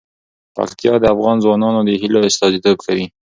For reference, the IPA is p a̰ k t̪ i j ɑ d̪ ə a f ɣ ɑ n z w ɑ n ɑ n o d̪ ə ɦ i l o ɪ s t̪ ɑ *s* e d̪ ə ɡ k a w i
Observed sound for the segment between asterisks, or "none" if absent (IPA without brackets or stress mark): z